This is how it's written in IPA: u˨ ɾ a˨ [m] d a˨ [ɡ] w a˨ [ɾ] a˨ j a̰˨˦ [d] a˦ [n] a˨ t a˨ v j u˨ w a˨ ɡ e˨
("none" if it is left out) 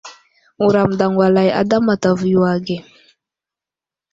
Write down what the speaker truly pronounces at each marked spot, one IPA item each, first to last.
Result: m, ŋ, l, d, m

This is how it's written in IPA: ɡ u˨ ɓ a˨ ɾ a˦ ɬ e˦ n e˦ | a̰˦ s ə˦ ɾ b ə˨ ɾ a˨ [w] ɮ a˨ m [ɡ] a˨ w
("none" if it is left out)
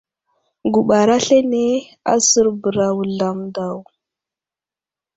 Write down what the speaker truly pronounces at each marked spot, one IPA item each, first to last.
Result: w, d

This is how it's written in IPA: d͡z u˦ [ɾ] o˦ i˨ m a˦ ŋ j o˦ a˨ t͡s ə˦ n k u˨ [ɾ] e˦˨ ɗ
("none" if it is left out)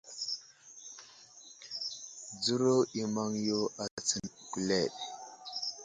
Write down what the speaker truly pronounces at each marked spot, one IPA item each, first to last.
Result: ɾ, l

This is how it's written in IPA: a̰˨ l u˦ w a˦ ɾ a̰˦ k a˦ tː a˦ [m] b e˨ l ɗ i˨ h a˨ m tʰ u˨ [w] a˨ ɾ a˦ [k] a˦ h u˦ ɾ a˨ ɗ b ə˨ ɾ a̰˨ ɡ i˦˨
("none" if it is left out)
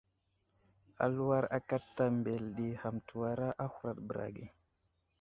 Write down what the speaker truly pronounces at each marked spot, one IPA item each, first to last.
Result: m, w, ʔ

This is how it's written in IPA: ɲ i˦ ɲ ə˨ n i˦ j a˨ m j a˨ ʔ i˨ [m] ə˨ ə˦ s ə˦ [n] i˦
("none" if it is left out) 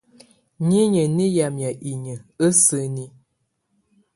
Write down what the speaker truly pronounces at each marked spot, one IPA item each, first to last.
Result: ɲ, n

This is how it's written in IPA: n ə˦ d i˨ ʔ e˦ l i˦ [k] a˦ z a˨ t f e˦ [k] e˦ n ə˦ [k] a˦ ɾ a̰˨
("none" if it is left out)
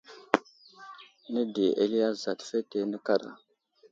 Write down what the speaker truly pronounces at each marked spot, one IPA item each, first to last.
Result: none, t, k

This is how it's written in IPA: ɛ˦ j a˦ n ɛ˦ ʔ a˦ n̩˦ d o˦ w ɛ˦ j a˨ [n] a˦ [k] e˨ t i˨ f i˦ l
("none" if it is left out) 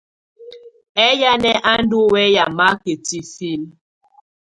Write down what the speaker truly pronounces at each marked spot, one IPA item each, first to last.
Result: m, k

